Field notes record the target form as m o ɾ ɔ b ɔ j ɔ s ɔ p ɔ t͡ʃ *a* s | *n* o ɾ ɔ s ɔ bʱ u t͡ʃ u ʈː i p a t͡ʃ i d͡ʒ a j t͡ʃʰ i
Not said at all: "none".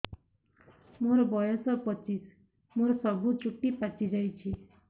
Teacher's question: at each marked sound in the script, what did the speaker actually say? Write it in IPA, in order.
i, m

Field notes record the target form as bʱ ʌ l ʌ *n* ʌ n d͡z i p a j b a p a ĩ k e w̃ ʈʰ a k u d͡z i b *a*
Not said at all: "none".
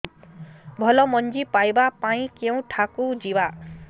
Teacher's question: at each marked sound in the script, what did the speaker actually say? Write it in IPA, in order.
m, a

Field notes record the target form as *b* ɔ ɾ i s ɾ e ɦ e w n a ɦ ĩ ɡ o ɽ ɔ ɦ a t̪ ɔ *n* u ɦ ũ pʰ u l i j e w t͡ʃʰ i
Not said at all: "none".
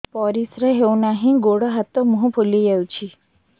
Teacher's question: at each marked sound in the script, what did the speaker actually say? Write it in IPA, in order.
p, m

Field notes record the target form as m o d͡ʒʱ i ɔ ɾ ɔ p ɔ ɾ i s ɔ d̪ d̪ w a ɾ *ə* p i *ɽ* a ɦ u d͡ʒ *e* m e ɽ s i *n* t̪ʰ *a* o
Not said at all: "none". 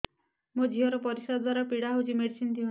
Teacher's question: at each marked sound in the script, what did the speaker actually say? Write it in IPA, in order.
a, ɽ, i, n, i

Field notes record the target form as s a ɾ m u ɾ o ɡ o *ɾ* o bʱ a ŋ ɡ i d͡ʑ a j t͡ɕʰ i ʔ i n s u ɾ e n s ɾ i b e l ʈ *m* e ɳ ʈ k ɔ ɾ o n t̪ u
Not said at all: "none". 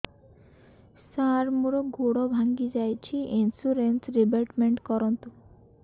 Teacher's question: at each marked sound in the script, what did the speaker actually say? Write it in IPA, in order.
ɽ, m

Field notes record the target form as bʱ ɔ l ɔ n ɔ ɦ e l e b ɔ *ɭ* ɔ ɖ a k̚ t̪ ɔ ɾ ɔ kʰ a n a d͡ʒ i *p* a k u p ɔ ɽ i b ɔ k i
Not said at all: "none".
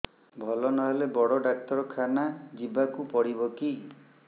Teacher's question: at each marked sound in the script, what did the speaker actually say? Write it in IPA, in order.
ɽ, b

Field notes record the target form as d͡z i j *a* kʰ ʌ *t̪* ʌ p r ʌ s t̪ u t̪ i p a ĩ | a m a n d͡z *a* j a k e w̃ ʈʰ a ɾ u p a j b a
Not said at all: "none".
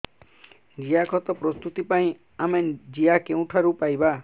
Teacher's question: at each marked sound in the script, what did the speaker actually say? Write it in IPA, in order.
a, t̪, i

